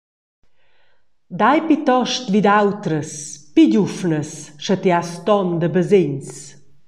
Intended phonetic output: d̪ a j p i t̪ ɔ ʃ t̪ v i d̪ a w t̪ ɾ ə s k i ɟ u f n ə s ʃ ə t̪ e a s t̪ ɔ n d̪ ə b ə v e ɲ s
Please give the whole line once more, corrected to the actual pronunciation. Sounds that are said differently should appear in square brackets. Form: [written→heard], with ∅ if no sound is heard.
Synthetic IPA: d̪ a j p i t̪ ɔ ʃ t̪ v i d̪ a w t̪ ɾ ə s [k→p] i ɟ u f n ə s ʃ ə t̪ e a s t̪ ɔ n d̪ ə b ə [v→z] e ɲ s